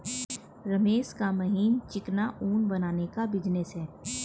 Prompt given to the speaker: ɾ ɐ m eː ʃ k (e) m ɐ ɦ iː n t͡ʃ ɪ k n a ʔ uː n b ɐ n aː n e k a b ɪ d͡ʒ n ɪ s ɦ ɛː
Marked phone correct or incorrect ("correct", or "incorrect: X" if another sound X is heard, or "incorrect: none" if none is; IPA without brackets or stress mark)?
incorrect: a